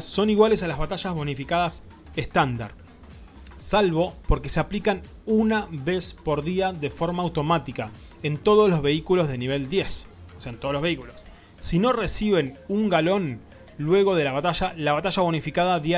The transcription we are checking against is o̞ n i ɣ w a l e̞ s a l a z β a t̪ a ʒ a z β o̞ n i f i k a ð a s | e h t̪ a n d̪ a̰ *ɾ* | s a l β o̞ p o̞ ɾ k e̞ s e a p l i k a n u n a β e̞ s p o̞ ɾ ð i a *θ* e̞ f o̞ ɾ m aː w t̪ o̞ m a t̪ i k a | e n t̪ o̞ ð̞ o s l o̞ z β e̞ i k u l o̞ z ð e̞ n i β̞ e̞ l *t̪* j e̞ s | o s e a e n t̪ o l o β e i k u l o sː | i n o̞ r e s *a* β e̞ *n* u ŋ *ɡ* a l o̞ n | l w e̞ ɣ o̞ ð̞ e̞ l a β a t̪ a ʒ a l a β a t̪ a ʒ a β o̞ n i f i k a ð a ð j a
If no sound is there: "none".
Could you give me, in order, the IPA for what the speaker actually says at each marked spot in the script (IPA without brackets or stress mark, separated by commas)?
ɾ, ð, d̪, i, n, ɡ